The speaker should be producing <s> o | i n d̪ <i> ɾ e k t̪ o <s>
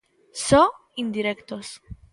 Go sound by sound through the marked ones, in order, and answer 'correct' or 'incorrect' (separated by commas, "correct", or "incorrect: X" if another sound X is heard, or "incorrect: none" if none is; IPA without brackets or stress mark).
correct, correct, correct